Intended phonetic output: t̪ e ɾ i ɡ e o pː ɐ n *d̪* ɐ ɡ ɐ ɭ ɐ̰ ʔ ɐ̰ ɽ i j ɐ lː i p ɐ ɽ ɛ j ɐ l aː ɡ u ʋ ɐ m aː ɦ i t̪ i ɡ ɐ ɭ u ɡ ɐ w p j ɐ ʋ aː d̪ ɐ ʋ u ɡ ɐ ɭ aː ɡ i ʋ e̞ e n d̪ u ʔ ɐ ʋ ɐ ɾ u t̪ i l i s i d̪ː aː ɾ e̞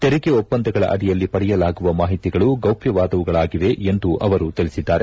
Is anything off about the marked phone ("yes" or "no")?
no